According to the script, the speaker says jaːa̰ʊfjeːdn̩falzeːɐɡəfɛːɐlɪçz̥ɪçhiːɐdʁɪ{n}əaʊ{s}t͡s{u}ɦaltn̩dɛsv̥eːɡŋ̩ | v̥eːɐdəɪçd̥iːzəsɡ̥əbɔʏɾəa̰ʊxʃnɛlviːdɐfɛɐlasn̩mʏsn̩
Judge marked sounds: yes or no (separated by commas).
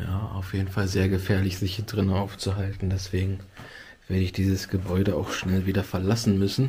yes, no, yes